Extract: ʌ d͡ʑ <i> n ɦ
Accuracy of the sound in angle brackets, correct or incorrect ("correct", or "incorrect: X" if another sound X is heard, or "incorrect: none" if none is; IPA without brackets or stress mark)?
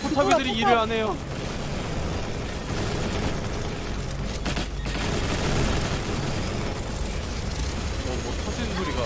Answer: correct